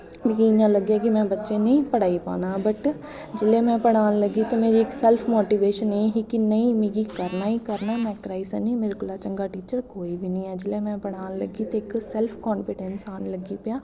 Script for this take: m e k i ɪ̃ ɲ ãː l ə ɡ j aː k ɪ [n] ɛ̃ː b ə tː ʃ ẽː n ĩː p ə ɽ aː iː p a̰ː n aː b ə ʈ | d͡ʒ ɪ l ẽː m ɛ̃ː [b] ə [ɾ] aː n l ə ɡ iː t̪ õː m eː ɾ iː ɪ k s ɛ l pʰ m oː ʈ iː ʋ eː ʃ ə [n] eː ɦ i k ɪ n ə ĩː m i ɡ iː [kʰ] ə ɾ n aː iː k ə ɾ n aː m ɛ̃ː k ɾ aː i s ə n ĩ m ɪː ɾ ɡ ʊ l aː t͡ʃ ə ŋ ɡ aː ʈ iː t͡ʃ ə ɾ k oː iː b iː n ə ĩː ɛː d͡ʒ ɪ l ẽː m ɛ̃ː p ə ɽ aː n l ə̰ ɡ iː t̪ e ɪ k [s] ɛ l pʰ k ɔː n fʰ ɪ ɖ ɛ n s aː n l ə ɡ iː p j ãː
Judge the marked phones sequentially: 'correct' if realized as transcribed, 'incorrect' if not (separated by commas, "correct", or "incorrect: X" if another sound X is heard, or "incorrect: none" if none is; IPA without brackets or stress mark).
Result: incorrect: m, incorrect: p, incorrect: ɽ, correct, incorrect: k, correct